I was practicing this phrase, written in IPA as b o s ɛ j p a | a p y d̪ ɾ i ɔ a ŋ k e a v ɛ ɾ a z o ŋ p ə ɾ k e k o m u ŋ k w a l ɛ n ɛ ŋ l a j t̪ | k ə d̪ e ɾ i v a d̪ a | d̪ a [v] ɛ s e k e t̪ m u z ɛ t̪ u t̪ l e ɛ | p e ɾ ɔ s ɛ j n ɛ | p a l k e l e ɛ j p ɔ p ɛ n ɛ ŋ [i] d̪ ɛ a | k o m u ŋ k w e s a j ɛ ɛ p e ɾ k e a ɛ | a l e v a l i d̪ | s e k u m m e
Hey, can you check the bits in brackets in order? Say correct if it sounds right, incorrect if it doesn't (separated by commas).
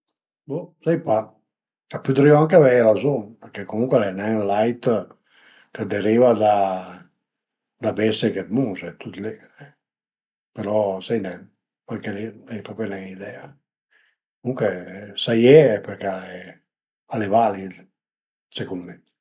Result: incorrect, correct